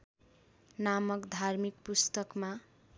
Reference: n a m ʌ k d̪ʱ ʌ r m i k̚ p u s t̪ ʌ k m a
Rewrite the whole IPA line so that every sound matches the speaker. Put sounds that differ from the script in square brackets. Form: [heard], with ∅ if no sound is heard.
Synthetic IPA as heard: n a m ʌ k d̪ʱ [a] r m i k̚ p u s t̪ ʌ k m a